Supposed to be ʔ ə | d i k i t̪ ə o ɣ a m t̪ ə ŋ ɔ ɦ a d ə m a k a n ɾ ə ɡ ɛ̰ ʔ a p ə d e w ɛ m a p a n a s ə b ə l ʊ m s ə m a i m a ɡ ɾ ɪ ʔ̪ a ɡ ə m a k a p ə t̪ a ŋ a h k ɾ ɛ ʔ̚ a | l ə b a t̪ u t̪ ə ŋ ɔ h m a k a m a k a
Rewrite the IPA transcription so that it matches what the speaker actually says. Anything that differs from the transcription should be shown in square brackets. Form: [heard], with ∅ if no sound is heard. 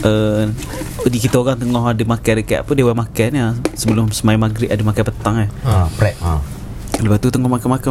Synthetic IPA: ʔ ə | d i k i t̪ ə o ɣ a [ŋ] t̪ ə ŋ ɔ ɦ a d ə m a k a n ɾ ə [k] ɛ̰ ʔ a p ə d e w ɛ m a [k] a n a s ə b ə l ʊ m s ə m a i m a ɡ ɾ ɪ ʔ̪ a [d] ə m a k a p ə t̪ a ŋ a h [p] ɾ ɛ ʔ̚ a | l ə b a t̪ u t̪ ə ŋ ɔ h m a k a m a k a